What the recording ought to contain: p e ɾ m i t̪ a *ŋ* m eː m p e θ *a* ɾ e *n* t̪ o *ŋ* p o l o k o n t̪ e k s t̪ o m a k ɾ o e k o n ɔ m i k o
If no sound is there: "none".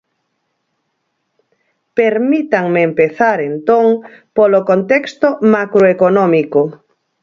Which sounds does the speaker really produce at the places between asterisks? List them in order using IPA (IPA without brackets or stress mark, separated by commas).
ŋ, a, n, ŋ